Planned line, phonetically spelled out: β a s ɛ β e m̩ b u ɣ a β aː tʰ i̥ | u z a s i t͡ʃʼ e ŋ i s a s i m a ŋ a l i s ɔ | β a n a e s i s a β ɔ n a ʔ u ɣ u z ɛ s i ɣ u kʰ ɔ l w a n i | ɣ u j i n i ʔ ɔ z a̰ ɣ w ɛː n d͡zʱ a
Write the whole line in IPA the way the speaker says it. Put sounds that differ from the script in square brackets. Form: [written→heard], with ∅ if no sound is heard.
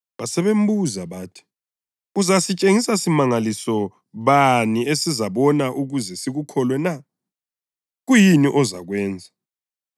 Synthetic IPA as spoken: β a s ɛ β e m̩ b u [ɣ→z] a β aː tʰ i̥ | u z a s i t͡ʃʼ e ŋ i s a s i m a ŋ a l i s ɔ | β a n [a→i] e s i [s→z] a β ɔ n a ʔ u ɣ u z ɛ s i ɣ u kʰ ɔ l w [a→ɛ] n [i→a] | ɣ u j i n i ʔ ɔ z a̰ ɣ w ɛː n d͡zʱ a

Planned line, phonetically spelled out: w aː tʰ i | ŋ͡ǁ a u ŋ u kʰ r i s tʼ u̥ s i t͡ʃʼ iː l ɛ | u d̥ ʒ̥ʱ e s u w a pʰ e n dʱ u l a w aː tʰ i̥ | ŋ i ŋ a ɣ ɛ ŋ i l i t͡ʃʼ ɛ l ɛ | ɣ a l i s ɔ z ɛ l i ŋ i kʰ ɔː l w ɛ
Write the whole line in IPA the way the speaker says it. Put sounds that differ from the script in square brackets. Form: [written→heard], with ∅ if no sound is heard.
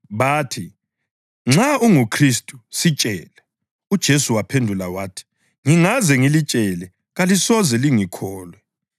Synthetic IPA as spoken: [w→β] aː tʰ i | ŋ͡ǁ a u ŋ u kʰ r i s tʼ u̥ s i t͡ʃʼ [iː→ɛː] l ɛ | u d̥ ʒ̥ʱ e s u w a pʰ e n dʱ u l a w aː tʰ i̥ | ŋ i ŋ a [ɣ→z] ɛ ŋ i l i t͡ʃʼ ɛ l ɛ | ɣ a l i s ɔ z ɛ l i ŋ i kʰ ɔː l w ɛ

